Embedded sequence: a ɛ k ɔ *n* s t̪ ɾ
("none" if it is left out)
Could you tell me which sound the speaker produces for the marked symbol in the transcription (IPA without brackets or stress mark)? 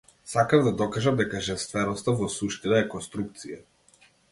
n